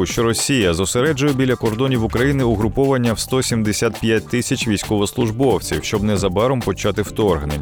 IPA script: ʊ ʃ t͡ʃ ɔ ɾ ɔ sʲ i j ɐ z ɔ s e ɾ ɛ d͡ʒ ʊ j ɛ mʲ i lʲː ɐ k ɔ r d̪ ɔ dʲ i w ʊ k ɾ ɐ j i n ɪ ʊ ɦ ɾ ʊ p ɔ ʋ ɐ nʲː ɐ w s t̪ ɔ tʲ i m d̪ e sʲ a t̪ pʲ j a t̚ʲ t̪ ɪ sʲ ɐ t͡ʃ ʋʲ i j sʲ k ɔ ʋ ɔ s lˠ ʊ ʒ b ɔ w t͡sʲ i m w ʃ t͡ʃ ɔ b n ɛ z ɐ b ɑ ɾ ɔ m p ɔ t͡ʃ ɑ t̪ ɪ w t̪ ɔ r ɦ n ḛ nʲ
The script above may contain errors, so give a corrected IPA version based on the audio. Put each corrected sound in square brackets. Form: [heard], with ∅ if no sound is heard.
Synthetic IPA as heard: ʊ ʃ t͡ʃ ɔ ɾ ɔ sʲ i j ɐ z ɔ s e ɾ ɛ d͡ʒ ʊ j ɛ [bʲ] i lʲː ɐ k ɔ r d̪ ɔ [nʲ] i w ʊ k ɾ ɐ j i n ɪ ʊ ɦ ɾ ʊ p ɔ ʋ ɐ nʲː ɐ w s t̪ ɔ [sʲ] i m d̪ e sʲ a t̪ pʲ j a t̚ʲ t̪ ɪ sʲ ɐ t͡ʃ ʋʲ i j sʲ k ɔ ʋ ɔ s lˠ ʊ ʒ b ɔ w t͡sʲ i [∅] w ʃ t͡ʃ ɔ b n ɛ z ɐ b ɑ ɾ ɔ m p ɔ t͡ʃ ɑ t̪ ɪ w t̪ ɔ r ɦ n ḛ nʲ